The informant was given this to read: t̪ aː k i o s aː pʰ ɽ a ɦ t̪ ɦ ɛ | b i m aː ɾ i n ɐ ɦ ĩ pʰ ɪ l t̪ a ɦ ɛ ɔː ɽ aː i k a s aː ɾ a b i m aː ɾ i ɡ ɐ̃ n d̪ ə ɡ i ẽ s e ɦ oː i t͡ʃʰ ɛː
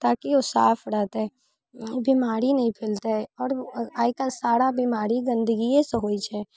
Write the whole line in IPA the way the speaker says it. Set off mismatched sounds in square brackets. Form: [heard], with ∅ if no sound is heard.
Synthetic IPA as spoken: t̪ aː k i o s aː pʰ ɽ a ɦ t̪ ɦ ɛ | b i m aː ɾ i n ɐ ɦ ĩ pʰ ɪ l t̪ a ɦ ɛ ɔː [ɾ] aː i k a s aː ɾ a b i m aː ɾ i ɡ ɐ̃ n d̪ ə ɡ i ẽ s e ɦ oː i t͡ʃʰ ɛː